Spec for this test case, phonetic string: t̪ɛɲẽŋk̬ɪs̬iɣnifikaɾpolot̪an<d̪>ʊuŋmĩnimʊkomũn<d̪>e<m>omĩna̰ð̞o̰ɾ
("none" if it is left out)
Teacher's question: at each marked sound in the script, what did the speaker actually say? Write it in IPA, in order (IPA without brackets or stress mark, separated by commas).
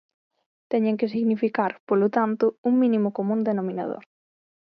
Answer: t̪, d̪, n